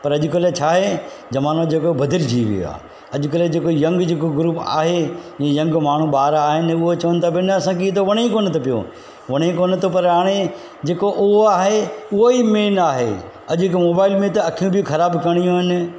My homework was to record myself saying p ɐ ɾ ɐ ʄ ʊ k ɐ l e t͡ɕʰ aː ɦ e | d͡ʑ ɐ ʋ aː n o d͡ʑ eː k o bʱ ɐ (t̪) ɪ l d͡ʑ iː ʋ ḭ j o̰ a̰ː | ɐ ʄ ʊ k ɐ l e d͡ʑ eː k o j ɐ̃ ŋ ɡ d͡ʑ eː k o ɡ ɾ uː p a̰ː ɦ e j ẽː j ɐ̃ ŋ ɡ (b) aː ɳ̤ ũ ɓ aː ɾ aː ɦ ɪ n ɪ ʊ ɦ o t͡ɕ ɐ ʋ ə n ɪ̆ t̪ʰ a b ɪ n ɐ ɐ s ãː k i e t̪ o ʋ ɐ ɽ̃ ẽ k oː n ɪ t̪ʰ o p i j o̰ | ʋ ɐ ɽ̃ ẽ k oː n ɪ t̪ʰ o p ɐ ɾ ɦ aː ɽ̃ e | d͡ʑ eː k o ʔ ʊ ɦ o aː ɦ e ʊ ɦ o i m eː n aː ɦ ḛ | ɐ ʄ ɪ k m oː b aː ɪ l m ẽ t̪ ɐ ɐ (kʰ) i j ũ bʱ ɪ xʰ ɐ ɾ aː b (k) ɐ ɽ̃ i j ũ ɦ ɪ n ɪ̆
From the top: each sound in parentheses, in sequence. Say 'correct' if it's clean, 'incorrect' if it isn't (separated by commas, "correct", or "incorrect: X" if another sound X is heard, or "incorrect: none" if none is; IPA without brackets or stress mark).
incorrect: d̪, incorrect: m, correct, correct